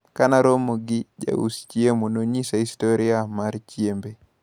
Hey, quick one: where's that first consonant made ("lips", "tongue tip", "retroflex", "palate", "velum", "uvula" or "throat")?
velum